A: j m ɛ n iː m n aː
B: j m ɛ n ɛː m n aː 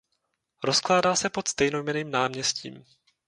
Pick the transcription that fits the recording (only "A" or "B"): A